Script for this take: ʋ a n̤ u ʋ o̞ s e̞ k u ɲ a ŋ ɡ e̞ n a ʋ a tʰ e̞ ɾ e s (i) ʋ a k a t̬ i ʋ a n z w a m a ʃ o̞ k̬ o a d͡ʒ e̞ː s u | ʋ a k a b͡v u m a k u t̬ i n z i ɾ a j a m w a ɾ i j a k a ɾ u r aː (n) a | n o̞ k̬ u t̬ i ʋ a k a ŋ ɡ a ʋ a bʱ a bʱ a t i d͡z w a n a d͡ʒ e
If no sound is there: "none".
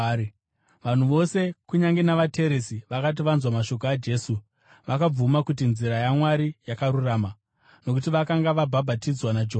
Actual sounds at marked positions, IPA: i, m

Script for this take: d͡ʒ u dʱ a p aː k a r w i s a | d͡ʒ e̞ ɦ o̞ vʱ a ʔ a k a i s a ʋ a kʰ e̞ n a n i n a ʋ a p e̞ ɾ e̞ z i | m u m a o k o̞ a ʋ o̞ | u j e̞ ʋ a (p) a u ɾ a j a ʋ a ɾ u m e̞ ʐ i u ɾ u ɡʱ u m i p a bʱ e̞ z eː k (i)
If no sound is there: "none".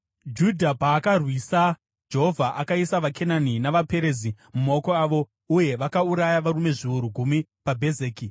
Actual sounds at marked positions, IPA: k, i

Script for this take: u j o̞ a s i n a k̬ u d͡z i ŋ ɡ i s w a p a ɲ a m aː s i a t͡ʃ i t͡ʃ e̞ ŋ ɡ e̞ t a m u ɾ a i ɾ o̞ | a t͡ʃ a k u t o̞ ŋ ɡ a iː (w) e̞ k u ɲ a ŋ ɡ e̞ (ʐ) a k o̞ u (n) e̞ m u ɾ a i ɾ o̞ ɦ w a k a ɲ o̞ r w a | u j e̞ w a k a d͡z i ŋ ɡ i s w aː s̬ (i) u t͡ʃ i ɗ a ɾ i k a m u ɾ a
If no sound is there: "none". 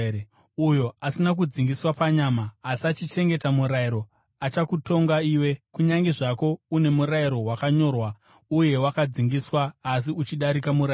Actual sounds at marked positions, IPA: w, ʐ, n, i

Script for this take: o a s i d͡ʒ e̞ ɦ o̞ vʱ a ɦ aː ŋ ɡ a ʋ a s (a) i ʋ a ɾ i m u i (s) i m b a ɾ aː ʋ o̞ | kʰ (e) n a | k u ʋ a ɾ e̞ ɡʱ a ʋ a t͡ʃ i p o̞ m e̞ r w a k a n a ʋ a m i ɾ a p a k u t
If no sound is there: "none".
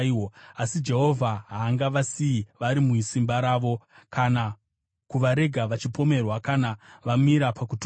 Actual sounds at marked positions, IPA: i, s, a

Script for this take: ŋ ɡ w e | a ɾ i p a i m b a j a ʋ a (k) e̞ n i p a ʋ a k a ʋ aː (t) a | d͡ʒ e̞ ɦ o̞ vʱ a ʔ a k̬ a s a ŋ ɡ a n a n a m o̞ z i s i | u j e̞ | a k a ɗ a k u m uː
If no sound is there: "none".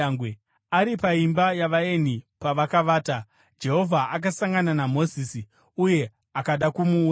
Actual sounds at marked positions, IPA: none, t

